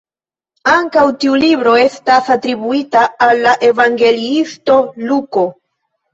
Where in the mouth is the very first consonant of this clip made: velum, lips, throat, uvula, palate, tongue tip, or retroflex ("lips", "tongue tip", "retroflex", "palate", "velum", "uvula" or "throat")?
velum